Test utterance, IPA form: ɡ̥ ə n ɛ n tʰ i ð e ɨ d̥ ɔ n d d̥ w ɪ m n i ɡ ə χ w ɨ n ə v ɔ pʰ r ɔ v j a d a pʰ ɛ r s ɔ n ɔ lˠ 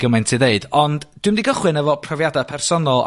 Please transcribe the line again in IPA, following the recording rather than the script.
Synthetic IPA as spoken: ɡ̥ ə m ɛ n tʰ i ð e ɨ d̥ ɔ n d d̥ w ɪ m d i ɡ ə χ w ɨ n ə v ɔ pʰ r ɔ v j a d a pʰ ɛ r s ɔ n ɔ lˠ